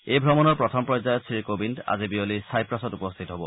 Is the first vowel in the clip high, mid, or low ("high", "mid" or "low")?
mid